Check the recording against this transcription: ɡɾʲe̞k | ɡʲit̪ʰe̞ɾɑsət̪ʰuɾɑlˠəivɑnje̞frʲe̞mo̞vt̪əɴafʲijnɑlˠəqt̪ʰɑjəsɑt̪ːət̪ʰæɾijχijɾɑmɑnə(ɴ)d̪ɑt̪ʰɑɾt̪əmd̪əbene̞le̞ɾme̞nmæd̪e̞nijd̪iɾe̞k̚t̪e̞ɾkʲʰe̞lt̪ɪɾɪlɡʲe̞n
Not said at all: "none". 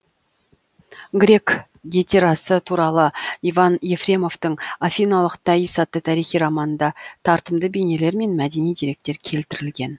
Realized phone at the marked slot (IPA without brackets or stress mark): n